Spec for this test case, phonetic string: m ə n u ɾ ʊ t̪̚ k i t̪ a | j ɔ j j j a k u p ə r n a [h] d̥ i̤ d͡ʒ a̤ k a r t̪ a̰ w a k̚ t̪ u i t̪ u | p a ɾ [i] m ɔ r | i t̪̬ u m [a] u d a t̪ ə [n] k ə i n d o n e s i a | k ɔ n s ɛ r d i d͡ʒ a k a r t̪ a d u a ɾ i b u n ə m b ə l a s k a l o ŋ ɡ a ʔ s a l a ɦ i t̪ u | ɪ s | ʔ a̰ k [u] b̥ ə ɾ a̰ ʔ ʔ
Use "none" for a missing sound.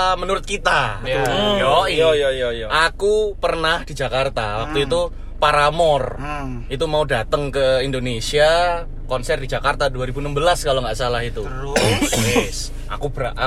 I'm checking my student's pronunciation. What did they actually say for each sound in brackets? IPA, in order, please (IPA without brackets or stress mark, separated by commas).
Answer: h, a, a, ŋ, u